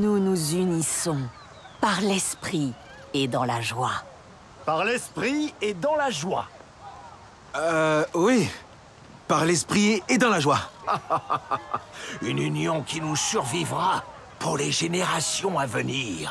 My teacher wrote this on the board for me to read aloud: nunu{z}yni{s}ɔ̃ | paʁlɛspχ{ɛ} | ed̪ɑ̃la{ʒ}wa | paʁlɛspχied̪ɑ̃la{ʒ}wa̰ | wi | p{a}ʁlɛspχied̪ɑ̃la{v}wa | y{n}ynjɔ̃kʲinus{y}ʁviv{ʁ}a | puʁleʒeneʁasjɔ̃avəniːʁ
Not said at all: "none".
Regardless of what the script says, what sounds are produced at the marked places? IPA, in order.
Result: z, s, i, ʒ, ʒ, a, ʒ, n, y, ʁ

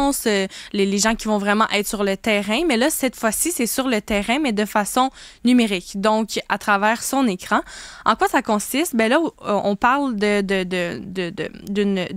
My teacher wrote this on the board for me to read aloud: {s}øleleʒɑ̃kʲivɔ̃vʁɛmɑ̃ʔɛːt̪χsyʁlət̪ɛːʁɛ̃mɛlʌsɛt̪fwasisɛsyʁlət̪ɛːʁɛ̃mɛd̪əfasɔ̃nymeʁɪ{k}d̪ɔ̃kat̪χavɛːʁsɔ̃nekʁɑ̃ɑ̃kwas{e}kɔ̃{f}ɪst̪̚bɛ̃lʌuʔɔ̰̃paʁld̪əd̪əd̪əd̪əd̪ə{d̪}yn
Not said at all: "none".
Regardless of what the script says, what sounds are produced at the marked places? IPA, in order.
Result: s, k, a, s, d̪

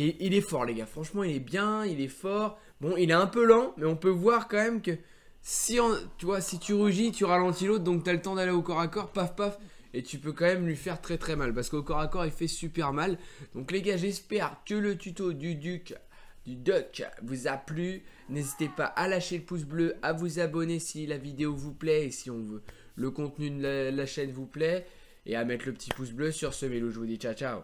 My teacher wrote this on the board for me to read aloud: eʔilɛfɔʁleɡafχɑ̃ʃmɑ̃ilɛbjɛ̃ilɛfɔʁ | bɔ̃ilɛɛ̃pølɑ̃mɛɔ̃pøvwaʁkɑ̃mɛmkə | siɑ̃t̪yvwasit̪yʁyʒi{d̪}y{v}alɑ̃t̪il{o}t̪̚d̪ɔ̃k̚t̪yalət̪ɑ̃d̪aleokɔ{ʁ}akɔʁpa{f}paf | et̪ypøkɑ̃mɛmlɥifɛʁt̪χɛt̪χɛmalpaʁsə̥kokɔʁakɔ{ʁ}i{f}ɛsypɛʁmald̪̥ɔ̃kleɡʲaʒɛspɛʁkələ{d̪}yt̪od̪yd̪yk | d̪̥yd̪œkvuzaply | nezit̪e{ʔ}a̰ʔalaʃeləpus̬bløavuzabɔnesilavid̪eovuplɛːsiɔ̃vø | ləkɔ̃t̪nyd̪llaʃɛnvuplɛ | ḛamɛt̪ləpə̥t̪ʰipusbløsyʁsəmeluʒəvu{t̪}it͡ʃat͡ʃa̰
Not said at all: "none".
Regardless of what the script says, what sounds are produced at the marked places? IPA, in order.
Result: t̪, ʁ, o, ʁ, f, ʁ, f, t̪, p, d̪

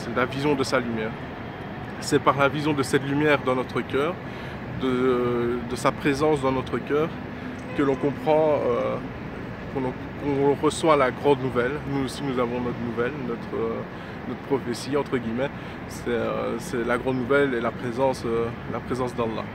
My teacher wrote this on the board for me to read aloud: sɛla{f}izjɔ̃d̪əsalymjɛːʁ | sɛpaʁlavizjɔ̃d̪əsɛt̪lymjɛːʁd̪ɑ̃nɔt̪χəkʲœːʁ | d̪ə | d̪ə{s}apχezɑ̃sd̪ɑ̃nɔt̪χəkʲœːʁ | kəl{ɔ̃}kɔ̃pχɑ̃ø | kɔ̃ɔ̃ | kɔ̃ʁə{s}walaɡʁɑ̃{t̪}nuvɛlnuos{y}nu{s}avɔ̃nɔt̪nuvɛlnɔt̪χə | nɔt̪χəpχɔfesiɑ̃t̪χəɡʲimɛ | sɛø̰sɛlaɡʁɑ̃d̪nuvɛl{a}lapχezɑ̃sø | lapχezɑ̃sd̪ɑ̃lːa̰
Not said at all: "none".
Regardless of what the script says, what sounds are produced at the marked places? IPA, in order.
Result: v, s, ɔ̃, s, d̪, i, z, e

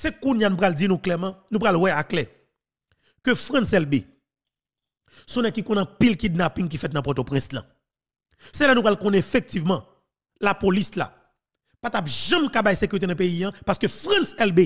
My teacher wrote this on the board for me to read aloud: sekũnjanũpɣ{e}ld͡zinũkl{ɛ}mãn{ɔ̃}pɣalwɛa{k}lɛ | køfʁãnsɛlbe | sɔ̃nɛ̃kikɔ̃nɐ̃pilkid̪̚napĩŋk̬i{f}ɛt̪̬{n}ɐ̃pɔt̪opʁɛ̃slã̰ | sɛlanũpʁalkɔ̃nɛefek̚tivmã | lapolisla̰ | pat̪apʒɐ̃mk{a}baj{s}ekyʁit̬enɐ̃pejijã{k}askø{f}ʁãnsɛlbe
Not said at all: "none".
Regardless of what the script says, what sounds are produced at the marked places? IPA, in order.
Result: a, ɛ, ũ, k, f, n, a, s, p, f

